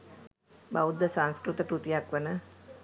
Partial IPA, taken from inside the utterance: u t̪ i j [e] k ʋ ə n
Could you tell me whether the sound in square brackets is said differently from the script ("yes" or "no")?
yes